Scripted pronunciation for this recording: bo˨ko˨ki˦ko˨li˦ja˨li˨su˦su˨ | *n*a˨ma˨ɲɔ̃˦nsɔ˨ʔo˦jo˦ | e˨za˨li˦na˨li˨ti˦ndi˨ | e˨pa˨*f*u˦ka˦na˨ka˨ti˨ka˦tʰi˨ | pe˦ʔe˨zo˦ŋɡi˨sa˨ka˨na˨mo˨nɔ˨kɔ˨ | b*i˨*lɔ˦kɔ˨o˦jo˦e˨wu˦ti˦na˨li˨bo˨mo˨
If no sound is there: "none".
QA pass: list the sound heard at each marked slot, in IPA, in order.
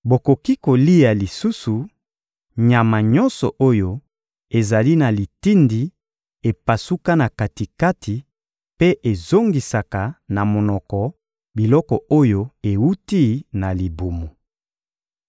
ɲ, s, i˨

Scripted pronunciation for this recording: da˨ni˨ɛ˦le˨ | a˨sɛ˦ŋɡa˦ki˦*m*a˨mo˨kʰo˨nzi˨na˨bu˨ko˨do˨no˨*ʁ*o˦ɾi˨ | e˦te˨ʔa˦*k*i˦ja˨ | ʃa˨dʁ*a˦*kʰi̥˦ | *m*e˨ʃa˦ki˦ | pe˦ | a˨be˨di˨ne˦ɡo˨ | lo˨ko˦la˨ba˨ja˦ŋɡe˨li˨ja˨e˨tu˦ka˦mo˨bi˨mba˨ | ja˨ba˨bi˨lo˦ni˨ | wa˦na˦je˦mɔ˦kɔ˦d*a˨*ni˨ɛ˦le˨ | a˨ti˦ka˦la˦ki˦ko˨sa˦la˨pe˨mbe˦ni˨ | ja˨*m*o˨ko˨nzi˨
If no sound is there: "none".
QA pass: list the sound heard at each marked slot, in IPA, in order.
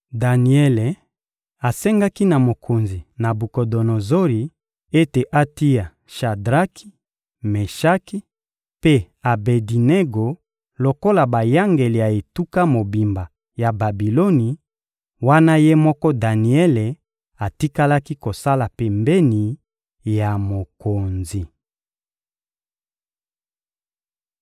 n, z, t, a˦, m, a˨, m

